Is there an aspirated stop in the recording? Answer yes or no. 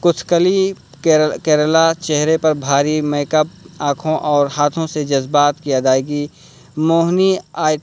yes